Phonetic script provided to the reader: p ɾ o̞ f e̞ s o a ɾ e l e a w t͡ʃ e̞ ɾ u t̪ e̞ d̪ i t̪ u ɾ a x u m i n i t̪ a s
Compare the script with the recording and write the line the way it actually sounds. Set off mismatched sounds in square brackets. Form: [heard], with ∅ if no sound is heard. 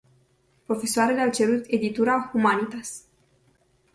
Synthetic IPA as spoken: p ɾ o̞ f e̞ s o a ɾ e l e a w t͡ʃ e̞ ɾ u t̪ e̞ d̪ i t̪ u ɾ a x u m [a] n i t̪ a s